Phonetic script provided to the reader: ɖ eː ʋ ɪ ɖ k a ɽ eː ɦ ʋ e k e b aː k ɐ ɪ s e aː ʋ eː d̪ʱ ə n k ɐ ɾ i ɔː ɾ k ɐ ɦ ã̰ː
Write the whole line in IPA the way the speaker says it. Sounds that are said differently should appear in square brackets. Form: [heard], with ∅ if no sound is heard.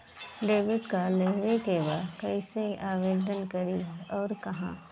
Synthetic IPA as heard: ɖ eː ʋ ɪ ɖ k a [l] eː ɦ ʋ e k e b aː k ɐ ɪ s e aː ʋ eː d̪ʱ ə n k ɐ ɾ i ɔː ɾ k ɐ ɦ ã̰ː